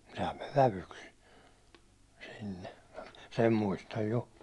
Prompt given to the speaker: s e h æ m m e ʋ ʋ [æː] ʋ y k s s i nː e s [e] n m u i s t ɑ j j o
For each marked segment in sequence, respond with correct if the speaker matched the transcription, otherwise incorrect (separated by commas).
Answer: incorrect, correct